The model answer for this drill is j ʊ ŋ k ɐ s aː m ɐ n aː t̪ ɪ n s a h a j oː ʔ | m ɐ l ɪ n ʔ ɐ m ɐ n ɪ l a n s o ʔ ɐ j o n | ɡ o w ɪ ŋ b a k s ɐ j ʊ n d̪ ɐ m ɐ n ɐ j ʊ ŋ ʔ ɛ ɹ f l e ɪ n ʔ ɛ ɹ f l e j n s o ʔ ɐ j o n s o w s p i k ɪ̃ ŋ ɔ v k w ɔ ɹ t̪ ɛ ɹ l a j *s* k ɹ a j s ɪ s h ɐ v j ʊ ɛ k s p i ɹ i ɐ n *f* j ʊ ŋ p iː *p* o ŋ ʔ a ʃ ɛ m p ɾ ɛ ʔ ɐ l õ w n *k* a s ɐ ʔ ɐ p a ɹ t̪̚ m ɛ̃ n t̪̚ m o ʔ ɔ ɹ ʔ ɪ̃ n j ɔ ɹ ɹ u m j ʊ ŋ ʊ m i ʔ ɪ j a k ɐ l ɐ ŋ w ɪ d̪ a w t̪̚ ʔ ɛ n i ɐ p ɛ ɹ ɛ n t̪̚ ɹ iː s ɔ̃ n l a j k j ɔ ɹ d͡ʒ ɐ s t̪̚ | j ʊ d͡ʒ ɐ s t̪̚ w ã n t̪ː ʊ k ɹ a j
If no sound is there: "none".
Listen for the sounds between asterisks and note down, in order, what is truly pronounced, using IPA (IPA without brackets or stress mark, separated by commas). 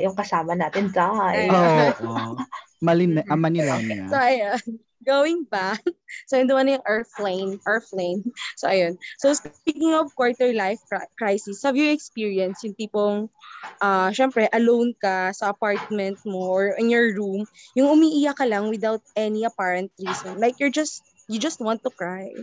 f, s, p, k